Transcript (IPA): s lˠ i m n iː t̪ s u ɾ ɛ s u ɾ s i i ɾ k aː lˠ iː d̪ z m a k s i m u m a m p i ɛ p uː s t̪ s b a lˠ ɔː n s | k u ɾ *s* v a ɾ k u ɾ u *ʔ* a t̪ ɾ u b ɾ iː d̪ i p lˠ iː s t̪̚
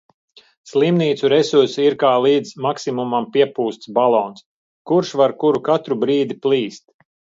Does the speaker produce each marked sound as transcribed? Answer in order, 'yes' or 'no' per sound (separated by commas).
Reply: no, no